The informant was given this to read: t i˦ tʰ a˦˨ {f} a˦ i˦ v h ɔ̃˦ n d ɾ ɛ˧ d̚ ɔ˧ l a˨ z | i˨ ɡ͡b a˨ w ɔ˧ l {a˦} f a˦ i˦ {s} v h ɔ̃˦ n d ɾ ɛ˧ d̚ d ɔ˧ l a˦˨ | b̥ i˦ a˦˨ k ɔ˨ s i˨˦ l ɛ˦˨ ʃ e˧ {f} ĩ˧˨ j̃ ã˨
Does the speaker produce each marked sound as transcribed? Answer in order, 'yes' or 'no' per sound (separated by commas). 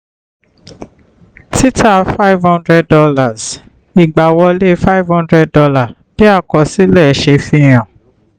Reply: yes, no, no, yes